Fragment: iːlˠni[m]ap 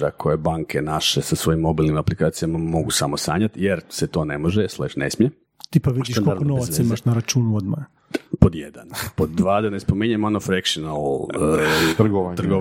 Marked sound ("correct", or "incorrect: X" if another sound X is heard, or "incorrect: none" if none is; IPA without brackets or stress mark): correct